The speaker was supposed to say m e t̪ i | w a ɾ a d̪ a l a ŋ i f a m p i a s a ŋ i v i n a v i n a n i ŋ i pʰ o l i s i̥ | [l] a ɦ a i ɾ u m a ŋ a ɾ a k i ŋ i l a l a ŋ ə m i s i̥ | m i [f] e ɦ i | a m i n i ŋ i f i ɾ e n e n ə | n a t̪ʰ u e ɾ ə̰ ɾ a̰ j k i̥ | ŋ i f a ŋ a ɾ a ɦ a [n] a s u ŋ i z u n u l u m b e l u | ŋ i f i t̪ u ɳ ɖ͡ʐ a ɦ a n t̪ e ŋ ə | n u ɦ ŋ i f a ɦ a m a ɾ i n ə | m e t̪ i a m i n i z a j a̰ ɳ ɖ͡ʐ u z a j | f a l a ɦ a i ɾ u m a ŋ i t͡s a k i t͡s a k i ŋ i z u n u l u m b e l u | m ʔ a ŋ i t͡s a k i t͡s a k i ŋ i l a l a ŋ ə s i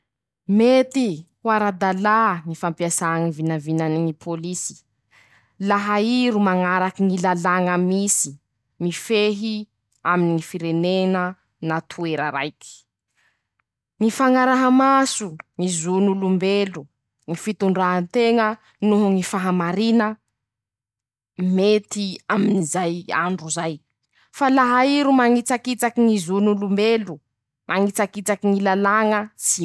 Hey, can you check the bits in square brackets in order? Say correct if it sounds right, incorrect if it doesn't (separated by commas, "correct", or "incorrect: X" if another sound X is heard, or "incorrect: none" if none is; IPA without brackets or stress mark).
correct, correct, incorrect: m